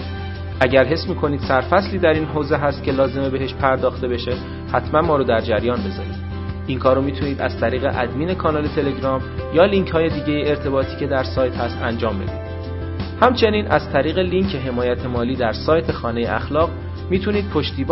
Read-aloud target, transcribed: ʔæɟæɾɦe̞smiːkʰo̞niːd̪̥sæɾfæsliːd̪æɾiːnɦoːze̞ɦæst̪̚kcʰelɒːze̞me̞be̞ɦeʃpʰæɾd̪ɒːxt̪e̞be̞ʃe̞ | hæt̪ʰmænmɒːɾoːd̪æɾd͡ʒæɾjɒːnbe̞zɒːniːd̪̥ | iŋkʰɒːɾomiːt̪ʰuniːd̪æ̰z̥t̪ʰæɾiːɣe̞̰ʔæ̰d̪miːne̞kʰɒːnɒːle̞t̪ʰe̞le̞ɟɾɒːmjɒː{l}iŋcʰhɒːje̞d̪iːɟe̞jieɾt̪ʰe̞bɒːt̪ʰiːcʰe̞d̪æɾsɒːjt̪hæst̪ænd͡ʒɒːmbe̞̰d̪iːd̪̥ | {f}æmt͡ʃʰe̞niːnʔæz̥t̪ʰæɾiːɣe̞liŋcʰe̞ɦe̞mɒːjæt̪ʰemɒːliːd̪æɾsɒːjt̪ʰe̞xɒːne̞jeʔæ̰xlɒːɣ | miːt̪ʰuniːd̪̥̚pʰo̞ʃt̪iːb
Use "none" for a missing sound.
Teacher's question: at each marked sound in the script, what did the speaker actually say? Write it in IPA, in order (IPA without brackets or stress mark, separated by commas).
l, h